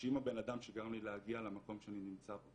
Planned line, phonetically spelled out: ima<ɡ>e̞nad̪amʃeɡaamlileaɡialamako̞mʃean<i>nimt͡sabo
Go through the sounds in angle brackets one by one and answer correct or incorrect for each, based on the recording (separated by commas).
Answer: incorrect, correct